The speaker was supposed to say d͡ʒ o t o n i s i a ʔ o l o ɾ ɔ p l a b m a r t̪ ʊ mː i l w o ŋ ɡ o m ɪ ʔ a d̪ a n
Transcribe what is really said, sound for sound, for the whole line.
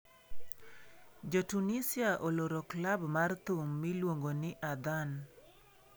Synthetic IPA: d͡ʒ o t u n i s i a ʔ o l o ɾ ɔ k l a b m a r t̪ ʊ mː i l w o ŋ ɡ o n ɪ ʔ a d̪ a n